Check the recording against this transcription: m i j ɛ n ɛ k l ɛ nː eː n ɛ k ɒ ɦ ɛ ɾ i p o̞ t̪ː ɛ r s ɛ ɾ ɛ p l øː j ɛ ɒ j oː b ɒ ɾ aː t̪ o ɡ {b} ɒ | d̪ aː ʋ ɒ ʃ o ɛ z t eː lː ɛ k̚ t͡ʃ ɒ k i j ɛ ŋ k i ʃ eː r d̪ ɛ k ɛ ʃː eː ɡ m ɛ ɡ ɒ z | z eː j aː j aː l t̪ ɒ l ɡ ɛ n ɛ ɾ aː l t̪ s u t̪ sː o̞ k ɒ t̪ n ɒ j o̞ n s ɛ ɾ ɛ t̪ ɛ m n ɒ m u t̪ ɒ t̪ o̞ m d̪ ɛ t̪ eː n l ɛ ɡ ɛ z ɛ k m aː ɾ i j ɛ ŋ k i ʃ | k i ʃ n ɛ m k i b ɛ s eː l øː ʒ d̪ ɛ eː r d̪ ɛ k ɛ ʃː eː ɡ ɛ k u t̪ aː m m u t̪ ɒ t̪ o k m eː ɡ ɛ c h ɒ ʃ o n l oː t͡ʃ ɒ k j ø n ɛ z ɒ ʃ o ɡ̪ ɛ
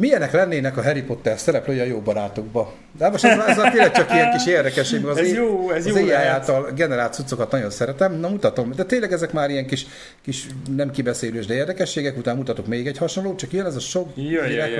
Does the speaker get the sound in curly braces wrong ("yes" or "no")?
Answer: no